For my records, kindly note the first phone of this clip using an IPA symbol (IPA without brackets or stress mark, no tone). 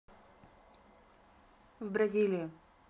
v